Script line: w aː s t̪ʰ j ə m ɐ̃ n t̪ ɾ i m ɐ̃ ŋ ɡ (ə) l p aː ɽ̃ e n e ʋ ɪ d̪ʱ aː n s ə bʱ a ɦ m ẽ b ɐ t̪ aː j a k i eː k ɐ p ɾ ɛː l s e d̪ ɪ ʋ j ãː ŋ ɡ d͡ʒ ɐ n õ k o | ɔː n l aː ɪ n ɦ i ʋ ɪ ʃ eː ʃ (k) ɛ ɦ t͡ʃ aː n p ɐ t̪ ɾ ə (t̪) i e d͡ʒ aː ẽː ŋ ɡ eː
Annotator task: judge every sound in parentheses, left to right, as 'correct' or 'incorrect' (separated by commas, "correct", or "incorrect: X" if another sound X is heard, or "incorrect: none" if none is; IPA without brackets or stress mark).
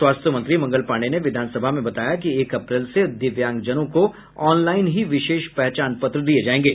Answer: correct, incorrect: p, incorrect: d̪